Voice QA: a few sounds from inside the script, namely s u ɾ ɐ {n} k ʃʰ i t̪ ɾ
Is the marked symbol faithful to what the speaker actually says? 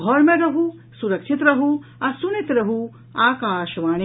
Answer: no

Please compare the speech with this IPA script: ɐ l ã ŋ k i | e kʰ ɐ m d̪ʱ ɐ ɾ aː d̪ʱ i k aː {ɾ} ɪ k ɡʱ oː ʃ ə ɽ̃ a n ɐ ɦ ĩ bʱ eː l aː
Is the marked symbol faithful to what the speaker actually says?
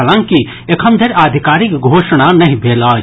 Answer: yes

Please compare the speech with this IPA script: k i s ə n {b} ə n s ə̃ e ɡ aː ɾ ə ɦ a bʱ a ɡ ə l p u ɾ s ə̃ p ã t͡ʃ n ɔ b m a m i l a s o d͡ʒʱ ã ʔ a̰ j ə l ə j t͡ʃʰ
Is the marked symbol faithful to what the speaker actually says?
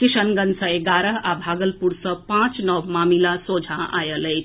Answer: no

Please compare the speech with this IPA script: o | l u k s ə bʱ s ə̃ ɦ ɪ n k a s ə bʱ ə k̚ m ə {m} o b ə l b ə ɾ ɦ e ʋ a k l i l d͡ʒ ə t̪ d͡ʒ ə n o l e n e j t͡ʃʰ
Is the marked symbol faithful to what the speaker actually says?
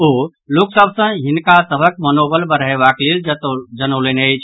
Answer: no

